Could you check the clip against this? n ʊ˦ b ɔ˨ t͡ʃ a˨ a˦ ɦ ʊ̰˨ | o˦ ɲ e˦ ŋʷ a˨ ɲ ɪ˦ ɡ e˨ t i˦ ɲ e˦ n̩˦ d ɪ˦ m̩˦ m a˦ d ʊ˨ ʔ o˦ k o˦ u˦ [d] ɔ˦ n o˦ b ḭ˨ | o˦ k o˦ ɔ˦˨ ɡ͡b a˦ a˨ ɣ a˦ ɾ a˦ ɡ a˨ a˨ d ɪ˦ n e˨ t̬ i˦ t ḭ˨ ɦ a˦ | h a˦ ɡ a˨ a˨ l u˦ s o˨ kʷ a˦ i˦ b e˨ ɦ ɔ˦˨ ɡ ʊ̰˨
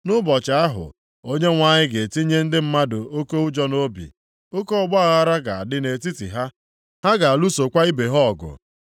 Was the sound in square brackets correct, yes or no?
no